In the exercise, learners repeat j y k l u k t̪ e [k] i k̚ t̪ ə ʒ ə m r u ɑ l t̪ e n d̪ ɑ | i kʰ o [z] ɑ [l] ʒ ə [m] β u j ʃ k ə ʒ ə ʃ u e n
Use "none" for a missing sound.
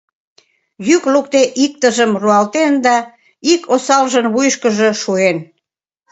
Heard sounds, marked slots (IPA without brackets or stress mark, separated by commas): ʔ, s, l, n